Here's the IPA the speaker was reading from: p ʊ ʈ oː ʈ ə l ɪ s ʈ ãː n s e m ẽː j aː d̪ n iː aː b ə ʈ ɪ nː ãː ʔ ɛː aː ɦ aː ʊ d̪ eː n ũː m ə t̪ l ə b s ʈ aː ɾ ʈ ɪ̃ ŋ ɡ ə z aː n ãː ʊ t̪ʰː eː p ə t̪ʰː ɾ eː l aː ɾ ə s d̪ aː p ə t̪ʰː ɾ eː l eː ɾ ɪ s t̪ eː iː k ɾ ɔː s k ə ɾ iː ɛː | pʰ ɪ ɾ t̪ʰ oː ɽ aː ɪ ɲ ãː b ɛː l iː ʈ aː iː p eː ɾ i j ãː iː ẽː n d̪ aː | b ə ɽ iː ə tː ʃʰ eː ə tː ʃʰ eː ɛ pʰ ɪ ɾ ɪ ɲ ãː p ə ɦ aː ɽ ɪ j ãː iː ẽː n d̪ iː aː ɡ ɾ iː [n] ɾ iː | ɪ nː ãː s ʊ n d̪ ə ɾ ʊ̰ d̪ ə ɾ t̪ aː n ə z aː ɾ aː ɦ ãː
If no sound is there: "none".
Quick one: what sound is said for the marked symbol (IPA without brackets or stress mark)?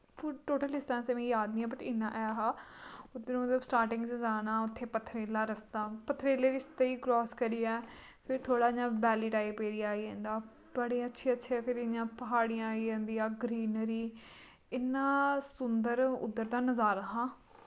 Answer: n